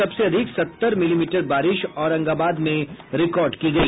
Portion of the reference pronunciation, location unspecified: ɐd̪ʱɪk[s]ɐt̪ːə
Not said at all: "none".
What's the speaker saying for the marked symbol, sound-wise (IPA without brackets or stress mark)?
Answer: s